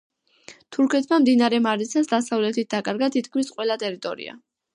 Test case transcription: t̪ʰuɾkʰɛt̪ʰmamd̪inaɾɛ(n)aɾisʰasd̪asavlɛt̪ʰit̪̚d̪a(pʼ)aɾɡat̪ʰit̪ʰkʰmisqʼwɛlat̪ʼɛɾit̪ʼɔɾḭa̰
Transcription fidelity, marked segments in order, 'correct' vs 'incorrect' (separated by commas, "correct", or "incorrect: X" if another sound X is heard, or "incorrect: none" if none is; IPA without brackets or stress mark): incorrect: m, incorrect: kʼ